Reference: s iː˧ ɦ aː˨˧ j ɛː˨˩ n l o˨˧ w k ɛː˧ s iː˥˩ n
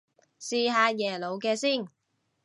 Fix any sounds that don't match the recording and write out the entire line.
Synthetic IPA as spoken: s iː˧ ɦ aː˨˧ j ɛː˨˩ l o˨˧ w k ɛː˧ s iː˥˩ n